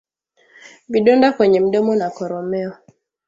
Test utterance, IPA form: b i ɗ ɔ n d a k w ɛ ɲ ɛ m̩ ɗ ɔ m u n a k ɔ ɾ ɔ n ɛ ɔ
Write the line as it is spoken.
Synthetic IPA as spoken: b i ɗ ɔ n d a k w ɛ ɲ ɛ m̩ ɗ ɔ m ɔ n a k ɔ ɾ ɔ m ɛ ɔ